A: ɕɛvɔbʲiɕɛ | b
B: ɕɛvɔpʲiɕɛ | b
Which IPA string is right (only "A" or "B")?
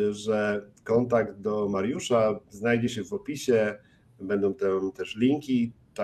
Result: B